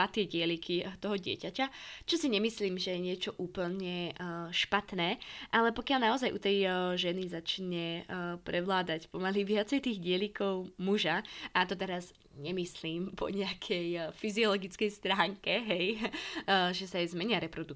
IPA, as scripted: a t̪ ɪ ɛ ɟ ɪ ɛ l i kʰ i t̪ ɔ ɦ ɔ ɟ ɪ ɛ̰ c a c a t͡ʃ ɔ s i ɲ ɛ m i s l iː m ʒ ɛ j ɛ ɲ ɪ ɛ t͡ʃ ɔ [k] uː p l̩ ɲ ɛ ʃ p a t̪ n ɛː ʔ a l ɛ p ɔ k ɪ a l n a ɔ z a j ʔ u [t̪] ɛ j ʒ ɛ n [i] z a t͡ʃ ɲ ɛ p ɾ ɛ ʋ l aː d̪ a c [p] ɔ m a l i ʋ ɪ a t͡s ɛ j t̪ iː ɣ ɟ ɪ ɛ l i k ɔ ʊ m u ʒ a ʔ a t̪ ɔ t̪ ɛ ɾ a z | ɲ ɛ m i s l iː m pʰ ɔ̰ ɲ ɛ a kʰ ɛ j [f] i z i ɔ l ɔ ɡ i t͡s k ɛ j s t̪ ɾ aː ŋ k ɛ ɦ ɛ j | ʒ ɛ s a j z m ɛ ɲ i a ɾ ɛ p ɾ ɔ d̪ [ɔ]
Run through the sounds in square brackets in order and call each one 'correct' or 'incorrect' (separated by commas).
incorrect, correct, correct, correct, correct, incorrect